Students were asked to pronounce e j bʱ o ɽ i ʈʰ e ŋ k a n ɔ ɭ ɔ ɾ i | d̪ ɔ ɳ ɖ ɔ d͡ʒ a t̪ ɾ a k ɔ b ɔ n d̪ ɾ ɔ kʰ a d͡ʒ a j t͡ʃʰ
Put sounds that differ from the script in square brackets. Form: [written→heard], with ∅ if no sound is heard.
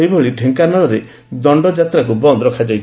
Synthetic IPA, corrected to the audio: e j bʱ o [ɽ→ɭ] i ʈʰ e ŋ k a n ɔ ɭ ɔ ɾ [i→e] | d̪ ɔ ɳ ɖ ɔ d͡ʒ a t̪ ɾ a k [ɔ→u] b ɔ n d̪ ɾ ɔ kʰ a d͡ʒ a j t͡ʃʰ